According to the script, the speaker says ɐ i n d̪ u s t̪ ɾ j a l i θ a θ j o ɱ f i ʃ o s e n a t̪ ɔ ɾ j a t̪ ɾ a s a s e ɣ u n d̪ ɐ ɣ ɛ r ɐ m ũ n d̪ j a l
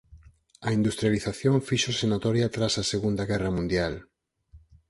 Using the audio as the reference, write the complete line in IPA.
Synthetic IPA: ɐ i n d̪ u s t̪ ɾ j a l i θ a θ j o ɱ f i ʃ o s e n a t̪ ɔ ɾ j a t̪ ɾ a s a s e ɣ u n d̪ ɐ ɣ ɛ r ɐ m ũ n d̪ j a l